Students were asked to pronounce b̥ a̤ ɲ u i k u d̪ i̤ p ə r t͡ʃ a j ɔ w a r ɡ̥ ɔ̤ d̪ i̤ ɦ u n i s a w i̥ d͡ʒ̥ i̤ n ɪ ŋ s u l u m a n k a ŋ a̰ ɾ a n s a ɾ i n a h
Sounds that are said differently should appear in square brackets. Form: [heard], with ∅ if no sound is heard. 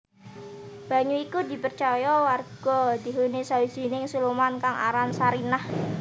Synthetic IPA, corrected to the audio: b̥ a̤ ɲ u i k u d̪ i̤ p ə r t͡ʃ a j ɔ w a r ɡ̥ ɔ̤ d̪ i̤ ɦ u n i s a w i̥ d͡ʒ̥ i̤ n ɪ ŋ s u l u m a n k a ŋ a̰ ɾ a n s a ɾ i n a h